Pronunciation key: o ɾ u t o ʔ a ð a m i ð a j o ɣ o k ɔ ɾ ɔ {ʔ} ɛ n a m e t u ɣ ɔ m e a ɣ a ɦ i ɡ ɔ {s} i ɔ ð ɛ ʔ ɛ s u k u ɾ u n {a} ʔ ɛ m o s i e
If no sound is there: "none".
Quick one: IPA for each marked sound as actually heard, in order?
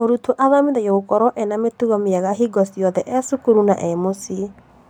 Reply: ʔ, s, a

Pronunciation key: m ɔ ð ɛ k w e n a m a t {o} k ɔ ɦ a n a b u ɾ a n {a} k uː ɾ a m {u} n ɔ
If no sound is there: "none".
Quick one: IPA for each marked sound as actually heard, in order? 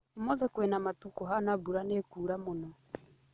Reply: u, e, o

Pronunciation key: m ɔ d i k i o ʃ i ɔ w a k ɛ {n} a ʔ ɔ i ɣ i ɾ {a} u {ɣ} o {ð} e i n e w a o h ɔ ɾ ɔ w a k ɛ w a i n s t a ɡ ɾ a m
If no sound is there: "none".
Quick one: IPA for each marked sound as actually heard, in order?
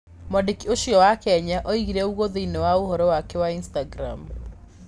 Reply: ɲ, ɛ, ɣ, ð

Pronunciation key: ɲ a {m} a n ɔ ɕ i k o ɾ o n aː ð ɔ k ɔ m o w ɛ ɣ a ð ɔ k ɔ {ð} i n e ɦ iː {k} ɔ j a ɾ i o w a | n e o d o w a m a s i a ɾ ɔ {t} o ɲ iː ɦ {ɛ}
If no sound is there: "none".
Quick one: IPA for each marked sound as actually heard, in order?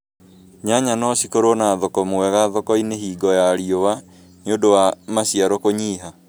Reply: ɲ, none, ɡ, k, a

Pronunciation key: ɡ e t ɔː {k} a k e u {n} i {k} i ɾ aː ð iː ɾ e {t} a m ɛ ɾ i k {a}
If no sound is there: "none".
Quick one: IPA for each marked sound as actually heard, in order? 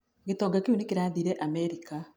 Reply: ɡ, n, k, ʔ, a

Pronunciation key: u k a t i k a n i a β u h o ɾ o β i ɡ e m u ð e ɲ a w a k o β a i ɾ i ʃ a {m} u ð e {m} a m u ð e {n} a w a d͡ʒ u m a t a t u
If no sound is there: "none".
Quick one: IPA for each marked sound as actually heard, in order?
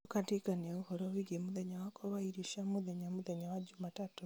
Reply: m, ɲ, ɲ

